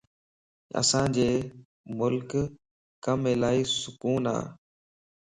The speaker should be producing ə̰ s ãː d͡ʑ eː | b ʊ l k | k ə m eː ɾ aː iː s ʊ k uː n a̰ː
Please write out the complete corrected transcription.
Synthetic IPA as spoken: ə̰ s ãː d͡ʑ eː | m ʊ l k | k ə m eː l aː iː s ʊ k uː n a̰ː